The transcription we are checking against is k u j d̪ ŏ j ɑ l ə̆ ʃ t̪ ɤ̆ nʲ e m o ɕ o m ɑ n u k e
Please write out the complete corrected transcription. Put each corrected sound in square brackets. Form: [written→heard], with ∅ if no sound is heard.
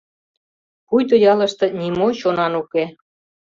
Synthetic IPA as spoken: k u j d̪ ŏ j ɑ l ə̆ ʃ t̪ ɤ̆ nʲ [e→i] m o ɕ o [m→n] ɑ n u k e

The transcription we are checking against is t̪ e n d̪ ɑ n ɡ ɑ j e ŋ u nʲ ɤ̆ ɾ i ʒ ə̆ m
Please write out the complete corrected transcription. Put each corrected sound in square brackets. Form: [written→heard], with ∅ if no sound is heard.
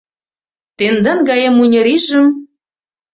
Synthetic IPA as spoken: t̪ e n d̪ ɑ n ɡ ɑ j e [ŋ→m] u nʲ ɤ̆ ɾ i ʒ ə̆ m

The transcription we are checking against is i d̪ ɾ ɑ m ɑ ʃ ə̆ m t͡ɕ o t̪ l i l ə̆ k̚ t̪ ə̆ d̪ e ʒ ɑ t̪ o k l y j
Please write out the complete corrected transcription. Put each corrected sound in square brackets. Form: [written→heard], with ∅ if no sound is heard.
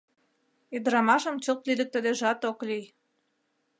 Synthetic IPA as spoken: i d̪ ɾ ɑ m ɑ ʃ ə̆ m t͡ɕ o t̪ l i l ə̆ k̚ t̪ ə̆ d̪ e ʒ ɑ t̪ o k l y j

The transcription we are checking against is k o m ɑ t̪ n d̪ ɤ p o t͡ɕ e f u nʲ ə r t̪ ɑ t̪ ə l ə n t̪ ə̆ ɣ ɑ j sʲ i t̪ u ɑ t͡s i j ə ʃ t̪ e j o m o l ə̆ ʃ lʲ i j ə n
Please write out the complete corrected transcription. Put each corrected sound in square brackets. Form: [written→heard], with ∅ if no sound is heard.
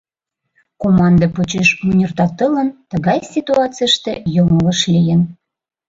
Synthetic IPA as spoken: k o m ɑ [t̪→∅] n d̪ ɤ p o t͡ɕ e [f→ʃ] u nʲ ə r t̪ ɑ t̪ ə l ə n t̪ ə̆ ɣ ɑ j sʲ i t̪ u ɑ t͡s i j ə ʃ t̪ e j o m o l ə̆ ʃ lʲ i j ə n

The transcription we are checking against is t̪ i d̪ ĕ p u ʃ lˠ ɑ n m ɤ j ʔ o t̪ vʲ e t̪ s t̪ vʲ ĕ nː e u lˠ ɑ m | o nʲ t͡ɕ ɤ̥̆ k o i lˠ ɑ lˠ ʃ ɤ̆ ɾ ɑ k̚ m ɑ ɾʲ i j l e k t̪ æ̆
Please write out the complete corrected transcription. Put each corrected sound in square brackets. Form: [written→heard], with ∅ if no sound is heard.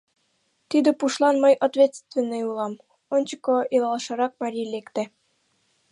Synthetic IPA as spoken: t̪ i d̪ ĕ p u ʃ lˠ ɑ n m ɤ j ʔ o t̪ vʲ e t̪ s t̪ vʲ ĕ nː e u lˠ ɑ m | o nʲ t͡ɕ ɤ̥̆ k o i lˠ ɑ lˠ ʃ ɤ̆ ɾ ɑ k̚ m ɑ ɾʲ i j l e k t̪ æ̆

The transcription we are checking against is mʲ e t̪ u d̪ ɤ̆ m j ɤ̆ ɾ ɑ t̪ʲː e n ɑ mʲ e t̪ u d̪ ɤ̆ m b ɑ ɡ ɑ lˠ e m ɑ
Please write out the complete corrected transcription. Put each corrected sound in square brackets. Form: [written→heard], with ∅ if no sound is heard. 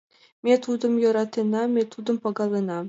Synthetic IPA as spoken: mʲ e t̪ u d̪ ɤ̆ m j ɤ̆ ɾ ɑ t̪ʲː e n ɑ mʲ e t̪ u d̪ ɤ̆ m [b→p] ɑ ɡ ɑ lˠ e [m→n] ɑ

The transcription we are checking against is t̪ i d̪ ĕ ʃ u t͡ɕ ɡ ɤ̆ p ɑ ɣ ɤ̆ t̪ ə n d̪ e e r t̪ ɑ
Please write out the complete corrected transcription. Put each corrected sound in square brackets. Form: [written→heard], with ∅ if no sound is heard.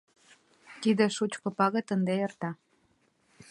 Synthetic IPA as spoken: t̪ i d̪ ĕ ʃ u t͡ɕ [ɡ→k] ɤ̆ p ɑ ɣ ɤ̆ t̪ ə n d̪ e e r t̪ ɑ

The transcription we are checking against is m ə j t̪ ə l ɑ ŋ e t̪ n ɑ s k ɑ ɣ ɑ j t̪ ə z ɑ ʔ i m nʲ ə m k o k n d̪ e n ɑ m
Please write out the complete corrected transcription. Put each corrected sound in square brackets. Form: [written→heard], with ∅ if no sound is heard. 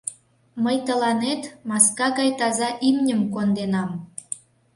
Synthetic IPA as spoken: m ə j t̪ ə l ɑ [ŋ→n] e t̪ [n→m] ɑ s k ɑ ɣ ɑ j t̪ [ə→ɑ] z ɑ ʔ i m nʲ ə m k o [k→∅] n d̪ e n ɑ m

